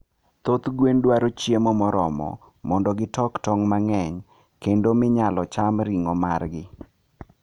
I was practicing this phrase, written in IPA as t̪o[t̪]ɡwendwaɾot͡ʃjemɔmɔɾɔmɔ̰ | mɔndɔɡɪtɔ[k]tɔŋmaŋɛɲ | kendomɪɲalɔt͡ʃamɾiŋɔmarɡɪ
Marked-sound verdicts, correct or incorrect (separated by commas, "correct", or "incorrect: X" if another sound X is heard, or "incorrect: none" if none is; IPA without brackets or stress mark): correct, correct